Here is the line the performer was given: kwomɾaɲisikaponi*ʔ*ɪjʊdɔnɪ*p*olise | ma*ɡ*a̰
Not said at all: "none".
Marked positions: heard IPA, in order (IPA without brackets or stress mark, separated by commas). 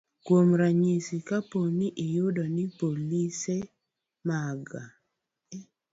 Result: ʔ, p, ɡ